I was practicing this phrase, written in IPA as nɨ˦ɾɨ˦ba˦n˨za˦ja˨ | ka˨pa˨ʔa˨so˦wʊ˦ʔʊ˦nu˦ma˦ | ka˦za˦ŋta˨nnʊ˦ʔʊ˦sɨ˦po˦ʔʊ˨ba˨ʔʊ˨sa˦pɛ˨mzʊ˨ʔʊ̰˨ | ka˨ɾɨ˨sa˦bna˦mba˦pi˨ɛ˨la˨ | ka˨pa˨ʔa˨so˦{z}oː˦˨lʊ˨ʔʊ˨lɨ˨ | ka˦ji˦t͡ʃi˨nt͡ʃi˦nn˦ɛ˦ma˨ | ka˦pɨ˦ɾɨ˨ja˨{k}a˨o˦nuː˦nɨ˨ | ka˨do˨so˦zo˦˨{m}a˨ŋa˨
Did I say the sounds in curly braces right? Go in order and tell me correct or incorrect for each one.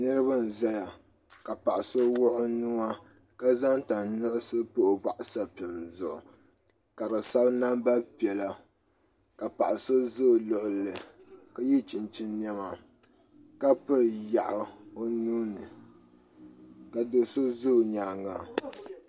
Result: correct, incorrect: ʔ, incorrect: ɲ

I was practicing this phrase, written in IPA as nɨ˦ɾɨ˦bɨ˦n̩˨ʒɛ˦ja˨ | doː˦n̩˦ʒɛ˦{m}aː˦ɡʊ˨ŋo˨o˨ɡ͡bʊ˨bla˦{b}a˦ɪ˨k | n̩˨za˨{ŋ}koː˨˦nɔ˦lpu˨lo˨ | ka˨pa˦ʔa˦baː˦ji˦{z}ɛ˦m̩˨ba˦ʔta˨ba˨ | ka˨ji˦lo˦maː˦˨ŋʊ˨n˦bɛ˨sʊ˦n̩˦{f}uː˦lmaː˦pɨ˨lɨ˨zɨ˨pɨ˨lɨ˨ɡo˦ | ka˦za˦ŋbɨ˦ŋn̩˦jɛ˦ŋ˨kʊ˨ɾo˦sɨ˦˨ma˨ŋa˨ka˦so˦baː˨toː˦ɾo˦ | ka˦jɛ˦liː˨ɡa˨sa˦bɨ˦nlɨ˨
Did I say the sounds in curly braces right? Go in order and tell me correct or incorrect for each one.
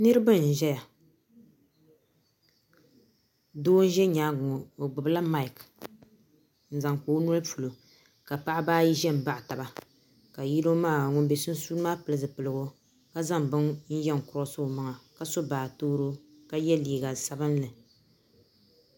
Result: incorrect: ɲ, incorrect: m, correct, incorrect: ʒ, incorrect: s

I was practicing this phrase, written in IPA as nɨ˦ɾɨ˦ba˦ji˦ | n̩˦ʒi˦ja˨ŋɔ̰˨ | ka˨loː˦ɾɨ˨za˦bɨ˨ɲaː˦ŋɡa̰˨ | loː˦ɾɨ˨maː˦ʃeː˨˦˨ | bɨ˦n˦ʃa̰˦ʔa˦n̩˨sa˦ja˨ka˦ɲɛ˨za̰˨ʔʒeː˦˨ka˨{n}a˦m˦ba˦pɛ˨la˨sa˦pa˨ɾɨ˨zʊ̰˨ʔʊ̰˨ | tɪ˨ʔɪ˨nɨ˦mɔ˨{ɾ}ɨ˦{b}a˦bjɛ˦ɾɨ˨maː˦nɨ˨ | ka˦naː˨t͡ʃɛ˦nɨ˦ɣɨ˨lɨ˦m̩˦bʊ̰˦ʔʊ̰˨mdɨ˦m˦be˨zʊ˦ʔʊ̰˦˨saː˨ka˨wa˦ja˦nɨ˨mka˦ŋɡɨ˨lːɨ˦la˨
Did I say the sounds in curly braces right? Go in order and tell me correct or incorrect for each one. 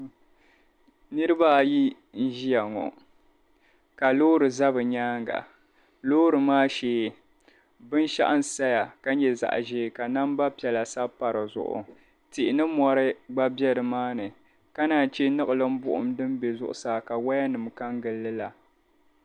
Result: correct, correct, incorrect: ɡ͡b

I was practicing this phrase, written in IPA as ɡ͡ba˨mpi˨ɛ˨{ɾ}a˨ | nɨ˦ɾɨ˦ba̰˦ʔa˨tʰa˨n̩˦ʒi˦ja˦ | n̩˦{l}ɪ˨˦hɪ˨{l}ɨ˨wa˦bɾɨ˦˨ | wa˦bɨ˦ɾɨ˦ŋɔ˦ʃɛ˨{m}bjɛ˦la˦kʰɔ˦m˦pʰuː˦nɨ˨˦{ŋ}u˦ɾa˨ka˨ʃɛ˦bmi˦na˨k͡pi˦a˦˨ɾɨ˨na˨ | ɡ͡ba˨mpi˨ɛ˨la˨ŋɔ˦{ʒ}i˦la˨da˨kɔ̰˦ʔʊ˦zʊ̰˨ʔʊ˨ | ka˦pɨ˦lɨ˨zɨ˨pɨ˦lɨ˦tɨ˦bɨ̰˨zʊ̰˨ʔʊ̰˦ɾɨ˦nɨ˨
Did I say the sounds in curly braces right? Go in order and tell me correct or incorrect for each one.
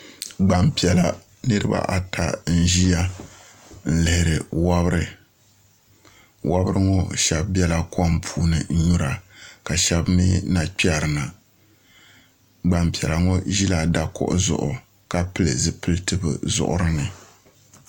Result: incorrect: l, correct, incorrect: ɾ, incorrect: b, incorrect: ɲ, correct

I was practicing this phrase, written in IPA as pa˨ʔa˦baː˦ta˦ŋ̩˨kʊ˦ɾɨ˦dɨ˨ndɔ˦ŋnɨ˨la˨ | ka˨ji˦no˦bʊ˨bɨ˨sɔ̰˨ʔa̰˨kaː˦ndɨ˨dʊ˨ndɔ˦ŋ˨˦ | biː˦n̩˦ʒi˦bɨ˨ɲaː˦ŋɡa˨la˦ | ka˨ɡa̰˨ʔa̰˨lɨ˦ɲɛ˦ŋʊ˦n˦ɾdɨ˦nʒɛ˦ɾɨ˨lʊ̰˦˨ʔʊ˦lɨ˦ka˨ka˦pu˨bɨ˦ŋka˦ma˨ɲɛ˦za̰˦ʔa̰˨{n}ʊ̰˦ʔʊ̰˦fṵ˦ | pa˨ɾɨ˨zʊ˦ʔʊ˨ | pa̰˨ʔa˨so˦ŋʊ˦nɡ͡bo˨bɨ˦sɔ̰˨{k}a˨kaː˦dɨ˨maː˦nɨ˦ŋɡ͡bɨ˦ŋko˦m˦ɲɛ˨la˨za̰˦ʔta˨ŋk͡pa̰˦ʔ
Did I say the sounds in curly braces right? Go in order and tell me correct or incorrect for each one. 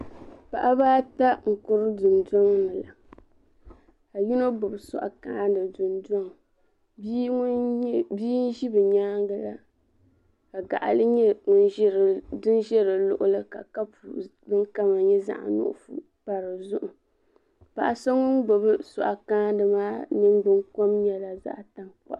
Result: correct, incorrect: ʔ

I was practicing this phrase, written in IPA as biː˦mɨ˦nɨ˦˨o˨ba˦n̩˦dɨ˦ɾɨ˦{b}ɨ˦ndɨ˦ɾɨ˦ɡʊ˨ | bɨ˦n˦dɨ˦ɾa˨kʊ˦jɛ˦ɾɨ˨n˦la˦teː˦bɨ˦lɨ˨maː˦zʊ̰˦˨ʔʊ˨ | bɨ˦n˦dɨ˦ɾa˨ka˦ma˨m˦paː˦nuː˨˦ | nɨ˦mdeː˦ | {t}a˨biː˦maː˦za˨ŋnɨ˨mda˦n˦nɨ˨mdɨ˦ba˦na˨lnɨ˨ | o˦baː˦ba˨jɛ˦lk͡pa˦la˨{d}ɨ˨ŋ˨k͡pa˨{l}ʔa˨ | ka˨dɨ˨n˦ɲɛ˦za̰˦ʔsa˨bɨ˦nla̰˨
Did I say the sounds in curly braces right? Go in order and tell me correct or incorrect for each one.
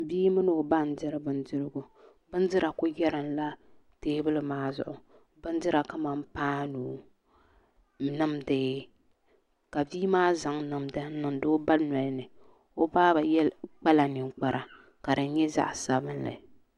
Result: correct, incorrect: k, incorrect: n, incorrect: ɾ

